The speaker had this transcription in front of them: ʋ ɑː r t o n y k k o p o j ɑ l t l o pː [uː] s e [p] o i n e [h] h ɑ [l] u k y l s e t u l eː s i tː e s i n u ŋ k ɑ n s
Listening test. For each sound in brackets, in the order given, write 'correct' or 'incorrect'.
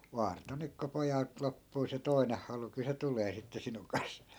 correct, incorrect, correct, correct

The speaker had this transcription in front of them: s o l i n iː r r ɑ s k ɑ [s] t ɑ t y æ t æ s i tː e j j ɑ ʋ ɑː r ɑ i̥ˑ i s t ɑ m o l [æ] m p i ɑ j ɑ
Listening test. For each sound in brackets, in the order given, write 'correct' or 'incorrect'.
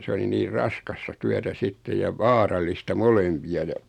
correct, incorrect

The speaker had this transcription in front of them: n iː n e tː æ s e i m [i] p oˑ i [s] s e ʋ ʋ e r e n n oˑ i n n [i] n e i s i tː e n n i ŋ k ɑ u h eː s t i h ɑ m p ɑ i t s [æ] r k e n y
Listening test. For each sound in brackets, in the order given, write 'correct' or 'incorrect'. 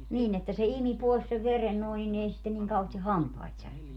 correct, correct, correct, correct

